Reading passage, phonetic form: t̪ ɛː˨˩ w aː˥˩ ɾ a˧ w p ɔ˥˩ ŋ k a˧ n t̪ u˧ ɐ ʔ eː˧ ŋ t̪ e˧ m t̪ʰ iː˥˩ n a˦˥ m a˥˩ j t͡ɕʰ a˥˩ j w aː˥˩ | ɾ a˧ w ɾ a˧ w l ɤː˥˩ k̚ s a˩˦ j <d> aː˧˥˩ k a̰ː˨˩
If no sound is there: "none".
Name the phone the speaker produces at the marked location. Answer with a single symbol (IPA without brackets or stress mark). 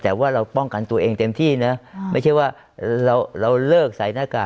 n